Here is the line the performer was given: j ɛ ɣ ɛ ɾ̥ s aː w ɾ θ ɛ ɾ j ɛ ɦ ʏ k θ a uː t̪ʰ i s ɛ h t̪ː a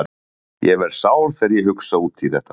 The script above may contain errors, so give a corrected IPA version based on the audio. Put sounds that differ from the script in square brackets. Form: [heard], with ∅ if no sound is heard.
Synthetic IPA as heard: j ɛ [v] ɛ ɾ̥ s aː w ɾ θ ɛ ɾ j ɛ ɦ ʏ k [s] a uː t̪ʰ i [θ] ɛ h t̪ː a